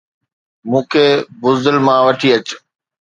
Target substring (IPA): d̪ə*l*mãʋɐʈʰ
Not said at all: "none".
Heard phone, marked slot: l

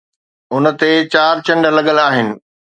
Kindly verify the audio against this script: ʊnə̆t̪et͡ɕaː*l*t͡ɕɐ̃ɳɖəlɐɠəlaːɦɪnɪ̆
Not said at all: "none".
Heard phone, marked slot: ɾ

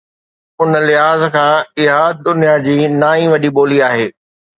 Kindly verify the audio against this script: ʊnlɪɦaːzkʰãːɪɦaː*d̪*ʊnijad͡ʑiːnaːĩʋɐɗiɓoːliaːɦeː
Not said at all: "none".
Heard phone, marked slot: d̪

